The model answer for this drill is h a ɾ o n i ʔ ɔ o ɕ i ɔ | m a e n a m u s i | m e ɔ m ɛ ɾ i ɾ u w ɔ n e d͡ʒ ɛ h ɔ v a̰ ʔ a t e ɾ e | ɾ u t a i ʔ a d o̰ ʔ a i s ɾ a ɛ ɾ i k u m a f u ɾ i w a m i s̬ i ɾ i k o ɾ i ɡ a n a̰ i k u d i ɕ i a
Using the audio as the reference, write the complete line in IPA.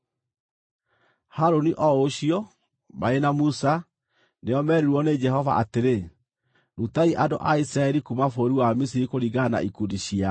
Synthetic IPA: h a ɾ o n i ʔ ɔ o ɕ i ɔ | m a e n a m u s a | n e ɔ m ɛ ɾ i ɾ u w ɔ n e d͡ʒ ɛ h ɔ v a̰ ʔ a t e ɾ e | ɾ u t a i ʔ a d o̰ ʔ a i s ɾ a ɛ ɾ i k u m a f o ɾ i w a m i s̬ i ɾ i k o ɾ i ɡ a n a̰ i k u d i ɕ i a

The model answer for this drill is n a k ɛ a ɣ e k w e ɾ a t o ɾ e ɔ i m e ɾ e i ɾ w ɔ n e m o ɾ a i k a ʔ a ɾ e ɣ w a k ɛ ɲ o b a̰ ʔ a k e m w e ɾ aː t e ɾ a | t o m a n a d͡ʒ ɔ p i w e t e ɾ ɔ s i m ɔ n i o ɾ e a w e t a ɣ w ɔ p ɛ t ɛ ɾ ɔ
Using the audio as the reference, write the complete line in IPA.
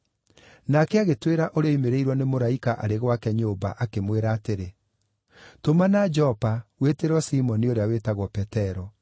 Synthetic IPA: n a k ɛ a ɣ e t w e ɾ a ʔ o ɾ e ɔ i m e ɾ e i ɾ w ɔ n e m o ɾ a i k a ʔ a ɾ e ɣ w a k ɛ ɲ o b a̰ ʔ a k e m w e ɾ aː t e ɾ e | t o m a n a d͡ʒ ɔ p a w e t e ɾ ɔ s i m ɔ n i o ɾ e a w e t a ɣ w ɔ p ɛ t ɛ ɾ ɔ

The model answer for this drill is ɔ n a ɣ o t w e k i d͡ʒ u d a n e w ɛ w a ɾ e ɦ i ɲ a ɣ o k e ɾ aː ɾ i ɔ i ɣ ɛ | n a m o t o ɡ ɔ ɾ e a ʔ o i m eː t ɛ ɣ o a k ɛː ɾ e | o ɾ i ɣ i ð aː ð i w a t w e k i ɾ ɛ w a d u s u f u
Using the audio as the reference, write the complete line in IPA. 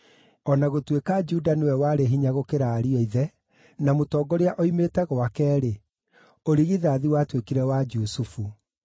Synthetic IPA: ɔ n a ɣ o t w e k a d͡ʒ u d a n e w ɛ w a ɾ e ɦ i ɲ a ɣ o k e ɾ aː ɾ i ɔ i ð ɛ | n a m o t ɔ ɡ ɔ ɾ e a ʔ o i m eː t ɛ ɣ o a k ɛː ɾ e | o ɾ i ɣ i ð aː ð i w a t w e k i ɾ ɛ w a d͡ʒ u s u f u

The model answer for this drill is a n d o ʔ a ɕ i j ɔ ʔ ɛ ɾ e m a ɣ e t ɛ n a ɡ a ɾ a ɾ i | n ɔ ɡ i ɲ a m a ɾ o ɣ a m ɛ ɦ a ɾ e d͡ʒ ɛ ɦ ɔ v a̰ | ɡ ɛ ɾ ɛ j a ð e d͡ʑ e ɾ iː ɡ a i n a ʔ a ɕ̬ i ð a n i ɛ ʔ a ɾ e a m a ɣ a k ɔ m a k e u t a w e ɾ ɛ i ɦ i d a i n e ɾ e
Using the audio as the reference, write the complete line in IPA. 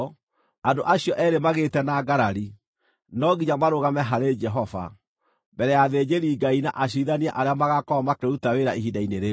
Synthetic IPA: a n d o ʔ a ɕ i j ɔ ʔ ɛ ɾ e m a ɣ e t ɛ n a ɡ a ɾ a ɾ i | n ɔ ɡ i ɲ a m a ɾ o ɣ a m ɛ ɦ a ɾ e d͡ʒ ɛ ɦ ɔ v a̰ | b ɛ ɾ ɛ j a ð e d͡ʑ e ɾ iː ɡ a i n a ʔ a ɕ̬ i ð a n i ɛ ʔ a ɾ e a m a ɣ a k ɔ m a k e u t a w e ɾ a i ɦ i d a i n e ɾ e

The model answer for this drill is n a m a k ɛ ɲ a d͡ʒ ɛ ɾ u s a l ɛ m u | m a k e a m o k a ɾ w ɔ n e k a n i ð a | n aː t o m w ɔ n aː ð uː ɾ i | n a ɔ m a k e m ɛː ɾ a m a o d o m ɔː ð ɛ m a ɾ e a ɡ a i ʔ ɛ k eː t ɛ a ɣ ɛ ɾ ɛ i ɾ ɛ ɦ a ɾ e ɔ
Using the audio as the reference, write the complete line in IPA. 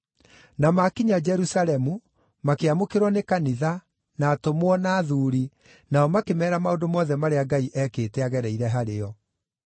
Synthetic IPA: n a m a k i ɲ a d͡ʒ ɛ ɾ u s a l ɛ m u | m a k e a m o k e ɾ w ɔ n e k a n i ð a | n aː t o m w ɔ n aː ð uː ɾ i | n a ɔ m a k e m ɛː ɾ a m a o d o m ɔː ð ɛ m a ɾ e a ɡ a i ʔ ɛ k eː t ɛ a ɣ ɛ ɾ ɛ i ɾ ɛ ɦ a ɾ e ɔ

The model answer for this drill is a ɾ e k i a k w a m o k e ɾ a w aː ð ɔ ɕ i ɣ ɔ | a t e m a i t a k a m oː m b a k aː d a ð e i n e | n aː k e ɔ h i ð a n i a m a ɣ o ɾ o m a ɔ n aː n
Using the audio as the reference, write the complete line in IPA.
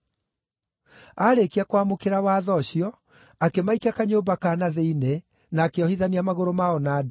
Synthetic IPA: a ɾ e k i a k w a m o k e ɾ a w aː ð ɔ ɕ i ɔ | a k e m a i k a k a ɲ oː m b a k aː n a ð e i n e | n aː k e ɔ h i ð a n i a m a ɣ o ɾ o m a ɔ n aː d

